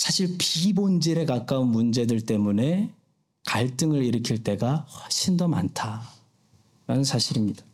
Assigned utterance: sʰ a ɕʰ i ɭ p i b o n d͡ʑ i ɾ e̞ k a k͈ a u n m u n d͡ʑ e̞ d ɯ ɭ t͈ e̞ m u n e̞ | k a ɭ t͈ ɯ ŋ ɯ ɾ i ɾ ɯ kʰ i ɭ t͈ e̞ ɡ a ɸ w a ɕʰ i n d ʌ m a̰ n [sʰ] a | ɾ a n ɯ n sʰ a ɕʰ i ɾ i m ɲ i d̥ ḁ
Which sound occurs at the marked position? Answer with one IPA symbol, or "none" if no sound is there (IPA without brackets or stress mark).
tʰ